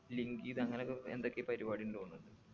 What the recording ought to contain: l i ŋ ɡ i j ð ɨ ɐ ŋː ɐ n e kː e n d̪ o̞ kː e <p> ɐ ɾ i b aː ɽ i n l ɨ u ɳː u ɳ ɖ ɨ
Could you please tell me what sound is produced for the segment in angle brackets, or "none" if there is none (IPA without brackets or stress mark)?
p